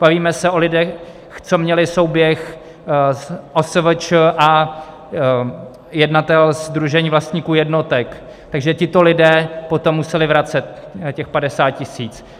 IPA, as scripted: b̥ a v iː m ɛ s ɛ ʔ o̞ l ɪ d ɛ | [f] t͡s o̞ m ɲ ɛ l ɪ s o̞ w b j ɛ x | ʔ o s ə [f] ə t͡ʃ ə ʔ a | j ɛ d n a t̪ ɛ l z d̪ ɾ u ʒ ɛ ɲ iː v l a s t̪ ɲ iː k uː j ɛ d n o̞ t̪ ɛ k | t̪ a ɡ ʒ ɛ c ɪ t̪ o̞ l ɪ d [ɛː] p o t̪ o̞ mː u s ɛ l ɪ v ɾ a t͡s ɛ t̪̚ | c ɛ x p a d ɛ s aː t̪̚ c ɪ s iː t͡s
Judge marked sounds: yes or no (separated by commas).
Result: no, no, yes